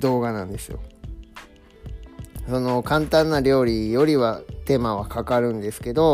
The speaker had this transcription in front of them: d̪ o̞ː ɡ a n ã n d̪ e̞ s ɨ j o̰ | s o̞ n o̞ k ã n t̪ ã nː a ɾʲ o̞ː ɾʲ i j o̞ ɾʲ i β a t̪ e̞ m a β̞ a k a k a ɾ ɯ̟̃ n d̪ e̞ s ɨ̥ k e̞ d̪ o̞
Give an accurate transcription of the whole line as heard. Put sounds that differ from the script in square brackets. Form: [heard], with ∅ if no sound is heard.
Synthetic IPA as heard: d̪ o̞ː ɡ a n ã n d̪ e̞ s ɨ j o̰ | s o̞ n o̞ k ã n t̪ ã nː a ɾʲ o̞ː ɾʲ i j o̞ ɾʲ i β a t̪ e̞ m a β̞ a k a k a ɾ ɯ̟̃ n d̪ e̞ s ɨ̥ k e̞ d̪ o̞